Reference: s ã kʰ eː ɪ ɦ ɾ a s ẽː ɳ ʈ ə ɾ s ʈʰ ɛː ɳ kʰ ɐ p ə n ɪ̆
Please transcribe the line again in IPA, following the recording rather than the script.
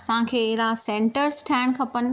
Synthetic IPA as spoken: s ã kʰ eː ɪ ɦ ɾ a s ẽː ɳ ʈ ə ɾ s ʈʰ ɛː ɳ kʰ ɐ p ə n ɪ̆